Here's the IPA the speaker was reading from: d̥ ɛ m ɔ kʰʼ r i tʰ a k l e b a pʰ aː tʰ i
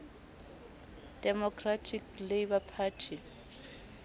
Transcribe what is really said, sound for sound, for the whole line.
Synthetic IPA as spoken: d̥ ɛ m ɔ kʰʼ r a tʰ i k l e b a pʰ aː tʰ i